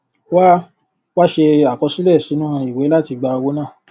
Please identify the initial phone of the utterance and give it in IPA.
w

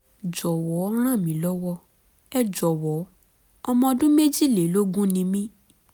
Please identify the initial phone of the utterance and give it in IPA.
d͡ʒ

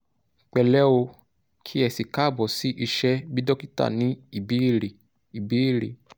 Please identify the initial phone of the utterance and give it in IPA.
k͡p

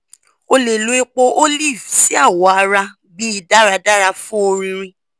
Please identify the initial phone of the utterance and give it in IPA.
o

